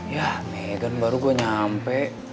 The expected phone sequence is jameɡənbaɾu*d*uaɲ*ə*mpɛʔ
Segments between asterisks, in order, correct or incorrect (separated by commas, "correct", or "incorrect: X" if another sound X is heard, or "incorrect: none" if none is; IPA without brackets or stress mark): incorrect: ɡ, incorrect: a